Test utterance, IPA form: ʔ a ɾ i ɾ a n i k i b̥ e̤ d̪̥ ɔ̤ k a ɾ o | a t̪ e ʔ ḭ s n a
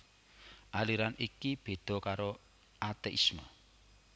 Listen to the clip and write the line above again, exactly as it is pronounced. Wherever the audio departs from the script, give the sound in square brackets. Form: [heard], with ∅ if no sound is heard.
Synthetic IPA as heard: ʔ a [l] i ɾ a n i k i b̥ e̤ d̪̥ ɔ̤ k a ɾ o | a t̪ e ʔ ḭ s [m] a